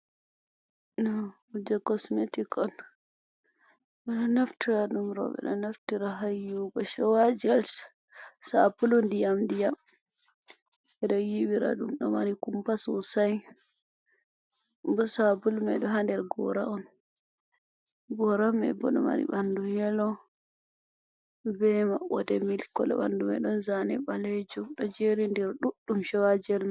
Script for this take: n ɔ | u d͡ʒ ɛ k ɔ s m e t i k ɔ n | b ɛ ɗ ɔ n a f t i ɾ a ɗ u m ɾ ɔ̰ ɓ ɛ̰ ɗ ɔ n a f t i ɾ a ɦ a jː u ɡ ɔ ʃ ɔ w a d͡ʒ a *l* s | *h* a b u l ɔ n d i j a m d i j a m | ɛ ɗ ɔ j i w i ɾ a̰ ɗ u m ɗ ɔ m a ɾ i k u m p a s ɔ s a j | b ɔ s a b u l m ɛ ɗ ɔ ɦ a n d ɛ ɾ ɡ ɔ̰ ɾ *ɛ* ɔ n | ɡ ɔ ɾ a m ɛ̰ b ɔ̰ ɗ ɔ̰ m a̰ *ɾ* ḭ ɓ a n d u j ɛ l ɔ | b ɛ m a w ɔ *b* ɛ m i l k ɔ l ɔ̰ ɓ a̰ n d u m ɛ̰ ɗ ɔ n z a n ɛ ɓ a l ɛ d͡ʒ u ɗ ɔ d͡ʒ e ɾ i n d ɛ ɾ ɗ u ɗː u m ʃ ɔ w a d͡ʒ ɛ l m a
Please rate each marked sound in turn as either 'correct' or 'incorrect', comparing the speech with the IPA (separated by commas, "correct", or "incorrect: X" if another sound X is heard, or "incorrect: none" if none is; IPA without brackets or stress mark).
correct, incorrect: s, incorrect: a, correct, incorrect: d